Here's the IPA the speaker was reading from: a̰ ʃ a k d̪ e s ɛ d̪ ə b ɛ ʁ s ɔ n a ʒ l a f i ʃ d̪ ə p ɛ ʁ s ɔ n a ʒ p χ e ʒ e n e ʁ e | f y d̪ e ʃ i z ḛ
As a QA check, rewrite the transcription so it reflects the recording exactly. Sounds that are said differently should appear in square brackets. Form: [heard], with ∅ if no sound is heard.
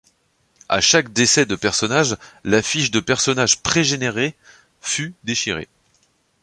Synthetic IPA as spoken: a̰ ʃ a k d̪ e s ɛ d̪ ə [p] ɛ ʁ s ɔ n a ʒ l a f i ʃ d̪ ə p ɛ ʁ s ɔ n a ʒ p χ e ʒ e n e ʁ e | f y d̪ e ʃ i [ʁ] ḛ